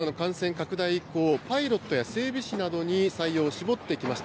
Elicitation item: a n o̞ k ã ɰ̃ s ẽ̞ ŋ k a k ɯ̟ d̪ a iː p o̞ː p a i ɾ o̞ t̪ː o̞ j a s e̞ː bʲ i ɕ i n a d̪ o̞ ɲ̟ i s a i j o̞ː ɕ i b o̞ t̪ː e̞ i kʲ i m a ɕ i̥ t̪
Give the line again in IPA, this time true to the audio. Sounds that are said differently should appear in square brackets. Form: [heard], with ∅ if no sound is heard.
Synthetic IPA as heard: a n o̞ k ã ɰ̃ s ẽ̞ ŋ k a k ɯ̟ d̪ a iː [k] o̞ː p a i ɾ o̞ t̪ː o̞ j a s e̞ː bʲ i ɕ i n a d̪ o̞ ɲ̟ i s a i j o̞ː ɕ i b o̞ t̪ː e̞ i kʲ i m a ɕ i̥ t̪